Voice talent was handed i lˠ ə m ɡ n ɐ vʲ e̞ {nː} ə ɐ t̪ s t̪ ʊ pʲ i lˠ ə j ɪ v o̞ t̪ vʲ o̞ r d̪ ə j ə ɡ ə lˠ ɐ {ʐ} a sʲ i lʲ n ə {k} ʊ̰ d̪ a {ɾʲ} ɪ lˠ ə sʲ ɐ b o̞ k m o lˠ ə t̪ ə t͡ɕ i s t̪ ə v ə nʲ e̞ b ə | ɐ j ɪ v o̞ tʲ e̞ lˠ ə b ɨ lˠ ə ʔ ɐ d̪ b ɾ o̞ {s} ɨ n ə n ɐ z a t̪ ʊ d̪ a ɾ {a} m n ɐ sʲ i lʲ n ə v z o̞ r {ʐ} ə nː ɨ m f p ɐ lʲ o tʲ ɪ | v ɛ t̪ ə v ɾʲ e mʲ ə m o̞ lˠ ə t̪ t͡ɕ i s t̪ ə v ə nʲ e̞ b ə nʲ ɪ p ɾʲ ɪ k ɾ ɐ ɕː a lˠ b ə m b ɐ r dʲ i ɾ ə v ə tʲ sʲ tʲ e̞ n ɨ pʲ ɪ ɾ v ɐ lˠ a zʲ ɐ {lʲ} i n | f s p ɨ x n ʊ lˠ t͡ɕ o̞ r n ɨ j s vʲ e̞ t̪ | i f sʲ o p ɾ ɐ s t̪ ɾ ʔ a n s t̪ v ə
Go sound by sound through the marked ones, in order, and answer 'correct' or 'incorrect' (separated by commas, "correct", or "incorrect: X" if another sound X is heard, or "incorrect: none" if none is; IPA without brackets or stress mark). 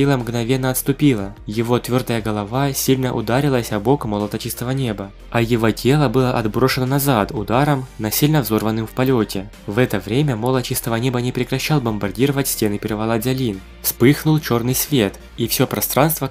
correct, incorrect: v, incorrect: ʔ, correct, incorrect: ʂ, incorrect: ə, incorrect: v, correct